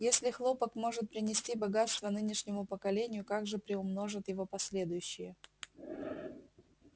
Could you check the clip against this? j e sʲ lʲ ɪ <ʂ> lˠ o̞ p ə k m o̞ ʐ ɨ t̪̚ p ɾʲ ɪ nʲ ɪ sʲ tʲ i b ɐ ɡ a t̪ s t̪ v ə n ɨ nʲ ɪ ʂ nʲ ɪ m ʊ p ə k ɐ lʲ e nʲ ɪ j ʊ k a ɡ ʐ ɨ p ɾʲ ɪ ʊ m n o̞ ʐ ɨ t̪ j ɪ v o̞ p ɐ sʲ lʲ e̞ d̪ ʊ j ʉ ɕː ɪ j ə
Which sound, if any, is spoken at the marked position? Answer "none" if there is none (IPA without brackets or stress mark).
x